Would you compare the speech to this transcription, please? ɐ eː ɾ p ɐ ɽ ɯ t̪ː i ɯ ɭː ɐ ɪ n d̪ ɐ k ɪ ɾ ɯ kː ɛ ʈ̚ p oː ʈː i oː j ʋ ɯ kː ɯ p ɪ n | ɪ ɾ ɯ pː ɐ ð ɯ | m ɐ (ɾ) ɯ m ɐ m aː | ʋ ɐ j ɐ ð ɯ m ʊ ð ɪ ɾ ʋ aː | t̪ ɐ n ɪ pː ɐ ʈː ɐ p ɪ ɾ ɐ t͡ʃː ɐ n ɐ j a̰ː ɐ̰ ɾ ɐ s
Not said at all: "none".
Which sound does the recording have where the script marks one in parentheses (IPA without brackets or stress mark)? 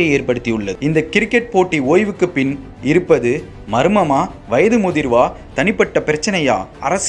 ɾ